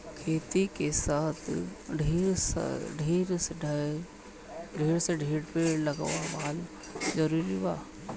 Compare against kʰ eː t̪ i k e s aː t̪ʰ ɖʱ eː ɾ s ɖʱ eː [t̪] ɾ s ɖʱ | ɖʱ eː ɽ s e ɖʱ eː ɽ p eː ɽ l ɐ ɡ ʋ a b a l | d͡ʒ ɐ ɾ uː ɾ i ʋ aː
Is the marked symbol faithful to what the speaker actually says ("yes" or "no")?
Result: no